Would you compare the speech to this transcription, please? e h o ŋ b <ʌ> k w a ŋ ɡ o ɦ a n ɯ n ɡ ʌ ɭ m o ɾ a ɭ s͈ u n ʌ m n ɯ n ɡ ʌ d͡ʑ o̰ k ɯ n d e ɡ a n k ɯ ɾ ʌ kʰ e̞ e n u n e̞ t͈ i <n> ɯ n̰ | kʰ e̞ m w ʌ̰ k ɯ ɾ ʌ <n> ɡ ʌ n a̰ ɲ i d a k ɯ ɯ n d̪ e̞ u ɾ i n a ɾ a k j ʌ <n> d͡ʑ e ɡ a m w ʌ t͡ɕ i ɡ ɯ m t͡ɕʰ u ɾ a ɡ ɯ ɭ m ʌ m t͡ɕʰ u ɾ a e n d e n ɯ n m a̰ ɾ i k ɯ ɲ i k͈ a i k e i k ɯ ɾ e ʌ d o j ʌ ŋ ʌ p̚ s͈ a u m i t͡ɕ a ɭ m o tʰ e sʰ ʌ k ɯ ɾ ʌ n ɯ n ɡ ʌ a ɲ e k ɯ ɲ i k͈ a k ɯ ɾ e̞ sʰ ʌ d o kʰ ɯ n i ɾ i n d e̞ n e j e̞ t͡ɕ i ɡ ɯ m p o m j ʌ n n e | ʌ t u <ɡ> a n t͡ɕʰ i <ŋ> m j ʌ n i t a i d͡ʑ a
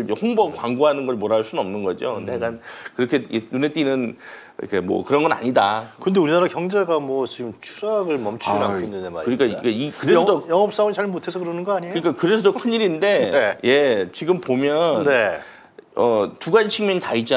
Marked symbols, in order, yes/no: yes, yes, yes, no, yes, yes

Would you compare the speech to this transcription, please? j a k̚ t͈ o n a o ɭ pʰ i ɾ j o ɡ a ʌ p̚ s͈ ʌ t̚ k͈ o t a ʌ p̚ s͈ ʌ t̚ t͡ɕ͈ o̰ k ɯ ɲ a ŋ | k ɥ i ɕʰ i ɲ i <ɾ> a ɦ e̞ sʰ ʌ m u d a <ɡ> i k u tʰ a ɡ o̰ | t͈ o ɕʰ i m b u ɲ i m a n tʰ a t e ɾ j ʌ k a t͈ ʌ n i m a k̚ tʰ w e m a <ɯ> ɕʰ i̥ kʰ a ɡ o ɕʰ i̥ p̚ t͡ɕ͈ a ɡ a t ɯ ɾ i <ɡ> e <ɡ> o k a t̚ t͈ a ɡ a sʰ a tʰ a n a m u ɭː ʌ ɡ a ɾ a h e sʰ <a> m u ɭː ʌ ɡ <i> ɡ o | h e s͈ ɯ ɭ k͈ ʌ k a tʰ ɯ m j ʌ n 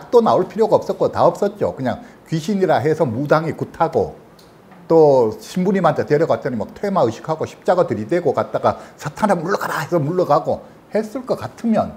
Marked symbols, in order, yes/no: yes, no, yes, no, yes, no, no

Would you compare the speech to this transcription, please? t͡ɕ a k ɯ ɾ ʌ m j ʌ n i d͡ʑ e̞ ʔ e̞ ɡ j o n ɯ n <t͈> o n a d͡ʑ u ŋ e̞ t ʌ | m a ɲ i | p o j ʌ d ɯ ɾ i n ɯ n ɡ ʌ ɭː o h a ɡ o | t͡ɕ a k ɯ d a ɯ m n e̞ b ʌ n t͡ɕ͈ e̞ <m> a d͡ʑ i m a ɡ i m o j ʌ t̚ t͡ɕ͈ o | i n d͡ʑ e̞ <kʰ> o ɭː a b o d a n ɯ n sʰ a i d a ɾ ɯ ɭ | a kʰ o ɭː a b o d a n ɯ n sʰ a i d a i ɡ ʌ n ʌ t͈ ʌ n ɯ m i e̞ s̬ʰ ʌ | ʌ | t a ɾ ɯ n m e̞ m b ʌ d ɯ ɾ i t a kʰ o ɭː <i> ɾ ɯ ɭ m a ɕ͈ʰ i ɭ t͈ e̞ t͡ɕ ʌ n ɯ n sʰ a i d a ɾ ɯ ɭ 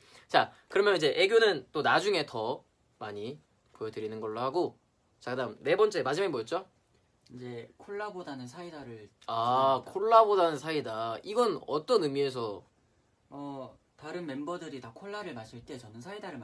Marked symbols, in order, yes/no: yes, yes, yes, no

